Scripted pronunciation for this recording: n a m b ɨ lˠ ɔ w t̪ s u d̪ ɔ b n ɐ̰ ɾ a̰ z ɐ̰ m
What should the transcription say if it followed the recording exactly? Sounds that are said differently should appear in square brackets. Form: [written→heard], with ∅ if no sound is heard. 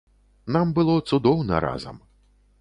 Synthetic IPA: n a m b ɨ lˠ ɔ [w→∅] t̪ s u d̪ ɔ [b→w] n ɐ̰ ɾ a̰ z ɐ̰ m